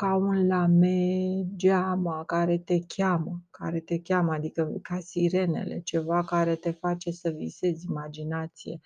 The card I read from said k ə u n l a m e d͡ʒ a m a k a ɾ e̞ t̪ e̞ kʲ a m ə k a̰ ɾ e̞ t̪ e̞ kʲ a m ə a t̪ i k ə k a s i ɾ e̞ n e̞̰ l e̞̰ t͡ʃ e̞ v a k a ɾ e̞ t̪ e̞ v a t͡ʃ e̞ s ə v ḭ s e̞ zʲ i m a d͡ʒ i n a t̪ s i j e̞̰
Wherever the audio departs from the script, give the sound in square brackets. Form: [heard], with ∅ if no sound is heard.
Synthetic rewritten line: k [a] u n l a m e d͡ʒ a m a k a ɾ e̞ t̪ e̞ kʲ a m ə k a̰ ɾ e̞ t̪ e̞ kʲ a m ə a [d̪] i k ə k a s i ɾ e̞ n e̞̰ l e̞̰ t͡ʃ e̞ v a k a ɾ e̞ t̪ e̞ [f] a t͡ʃ e̞ s ə v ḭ s e̞ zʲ i m a d͡ʒ i n a t̪ s i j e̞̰